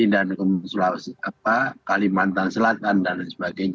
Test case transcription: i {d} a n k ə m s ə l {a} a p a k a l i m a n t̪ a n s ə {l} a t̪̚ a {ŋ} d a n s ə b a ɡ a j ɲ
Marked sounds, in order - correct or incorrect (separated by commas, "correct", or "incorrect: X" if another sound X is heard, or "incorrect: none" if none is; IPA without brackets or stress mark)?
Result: correct, correct, correct, incorrect: n